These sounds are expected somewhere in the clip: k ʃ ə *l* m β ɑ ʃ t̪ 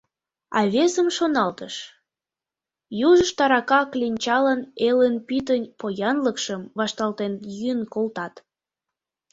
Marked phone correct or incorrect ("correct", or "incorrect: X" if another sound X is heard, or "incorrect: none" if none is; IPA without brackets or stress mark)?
incorrect: none